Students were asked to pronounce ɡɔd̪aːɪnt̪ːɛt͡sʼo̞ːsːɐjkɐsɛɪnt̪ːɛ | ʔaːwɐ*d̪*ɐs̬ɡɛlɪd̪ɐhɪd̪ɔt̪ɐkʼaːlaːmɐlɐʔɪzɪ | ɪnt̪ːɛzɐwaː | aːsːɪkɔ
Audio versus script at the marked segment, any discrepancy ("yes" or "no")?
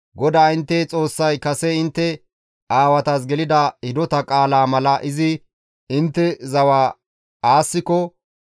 yes